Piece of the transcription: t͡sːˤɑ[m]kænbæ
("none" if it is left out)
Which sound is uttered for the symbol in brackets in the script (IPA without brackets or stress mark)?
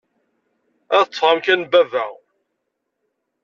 m